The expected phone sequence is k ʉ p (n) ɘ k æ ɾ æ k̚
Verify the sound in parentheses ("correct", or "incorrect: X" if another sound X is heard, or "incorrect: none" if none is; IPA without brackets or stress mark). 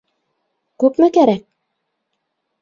incorrect: m